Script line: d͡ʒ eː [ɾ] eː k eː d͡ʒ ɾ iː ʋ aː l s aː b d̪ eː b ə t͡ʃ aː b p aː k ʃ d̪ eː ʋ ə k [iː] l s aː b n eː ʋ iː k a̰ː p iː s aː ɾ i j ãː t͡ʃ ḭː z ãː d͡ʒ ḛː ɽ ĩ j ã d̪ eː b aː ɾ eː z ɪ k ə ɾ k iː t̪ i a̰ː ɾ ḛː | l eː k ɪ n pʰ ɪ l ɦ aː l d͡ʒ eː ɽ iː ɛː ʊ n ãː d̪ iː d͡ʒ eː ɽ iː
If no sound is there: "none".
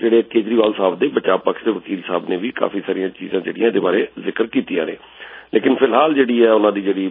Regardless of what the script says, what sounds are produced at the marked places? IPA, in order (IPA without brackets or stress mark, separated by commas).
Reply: ɽ, iː